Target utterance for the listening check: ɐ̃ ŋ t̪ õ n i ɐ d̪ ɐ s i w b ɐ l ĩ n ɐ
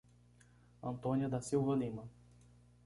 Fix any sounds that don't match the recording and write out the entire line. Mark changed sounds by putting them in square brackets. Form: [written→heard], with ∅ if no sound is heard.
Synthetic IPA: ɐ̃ [ŋ→n] t̪ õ n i ɐ d̪ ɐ s i w [b→v] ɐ l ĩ [n→m] ɐ